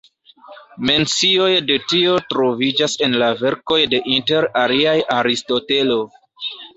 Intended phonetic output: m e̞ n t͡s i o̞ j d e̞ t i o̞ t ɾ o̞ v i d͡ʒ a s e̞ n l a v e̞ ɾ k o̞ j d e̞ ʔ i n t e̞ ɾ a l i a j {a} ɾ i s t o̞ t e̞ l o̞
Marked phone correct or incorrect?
correct